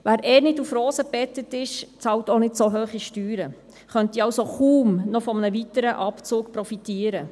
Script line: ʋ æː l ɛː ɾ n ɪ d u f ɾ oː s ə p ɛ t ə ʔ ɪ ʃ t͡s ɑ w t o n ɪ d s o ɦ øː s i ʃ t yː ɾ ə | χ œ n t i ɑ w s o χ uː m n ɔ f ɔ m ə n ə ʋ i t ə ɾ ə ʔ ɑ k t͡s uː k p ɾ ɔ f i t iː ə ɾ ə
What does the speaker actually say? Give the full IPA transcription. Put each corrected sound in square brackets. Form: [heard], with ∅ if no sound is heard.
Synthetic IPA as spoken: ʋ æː [ɾ] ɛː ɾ n ɪ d u f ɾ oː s ə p ɛ t ə [t] ɪ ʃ t͡s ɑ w t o n ɪ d s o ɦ øː [χ] i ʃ t yː ɾ ə | χ œ n t i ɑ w s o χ uː m n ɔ f ɔ m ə n ə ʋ i t ə ɾ ə ʔ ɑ [p] t͡s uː k p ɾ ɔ f i t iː ə ɾ ə